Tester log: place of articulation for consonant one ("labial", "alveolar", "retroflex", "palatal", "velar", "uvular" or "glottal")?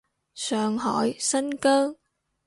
alveolar